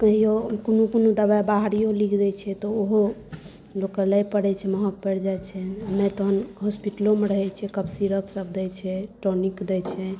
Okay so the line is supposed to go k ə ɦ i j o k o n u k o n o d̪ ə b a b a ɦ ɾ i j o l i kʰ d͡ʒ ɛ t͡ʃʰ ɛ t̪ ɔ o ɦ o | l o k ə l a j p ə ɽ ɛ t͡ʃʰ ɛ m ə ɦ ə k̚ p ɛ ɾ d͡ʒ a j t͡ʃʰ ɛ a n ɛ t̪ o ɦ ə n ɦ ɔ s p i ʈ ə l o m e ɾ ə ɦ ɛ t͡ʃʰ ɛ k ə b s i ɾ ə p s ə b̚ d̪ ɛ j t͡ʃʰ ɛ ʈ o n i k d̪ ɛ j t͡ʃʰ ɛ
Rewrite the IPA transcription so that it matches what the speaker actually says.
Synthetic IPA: k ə ɦ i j o k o n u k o n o d̪ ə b a b a ɦ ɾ i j o l i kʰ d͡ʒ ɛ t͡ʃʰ ɛ t̪ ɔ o ɦ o | l o k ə l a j p ə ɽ ɛ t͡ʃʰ ɛ m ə ɦ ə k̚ p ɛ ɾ d͡ʒ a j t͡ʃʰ ɛ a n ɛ t̪ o ɦ ə n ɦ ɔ s p i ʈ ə l o m e ɾ ə ɦ ɛ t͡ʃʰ ɛ k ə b s i ɾ ə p s ə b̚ d̪ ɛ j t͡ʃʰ ɛ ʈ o n i k d̪ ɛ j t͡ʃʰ ɛ